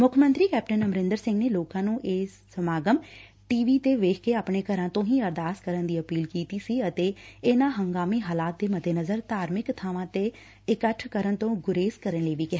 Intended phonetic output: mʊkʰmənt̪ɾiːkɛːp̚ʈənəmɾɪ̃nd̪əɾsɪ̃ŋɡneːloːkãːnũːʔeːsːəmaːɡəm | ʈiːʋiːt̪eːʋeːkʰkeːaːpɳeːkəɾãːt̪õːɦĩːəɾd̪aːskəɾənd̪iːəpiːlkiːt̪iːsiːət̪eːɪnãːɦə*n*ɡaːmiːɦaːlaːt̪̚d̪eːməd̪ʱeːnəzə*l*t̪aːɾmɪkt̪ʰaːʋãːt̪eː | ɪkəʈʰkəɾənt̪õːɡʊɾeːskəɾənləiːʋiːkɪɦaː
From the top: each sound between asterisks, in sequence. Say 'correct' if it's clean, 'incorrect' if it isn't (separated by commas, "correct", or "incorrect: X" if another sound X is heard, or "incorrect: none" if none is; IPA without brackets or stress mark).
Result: incorrect: ŋ, incorrect: ɾ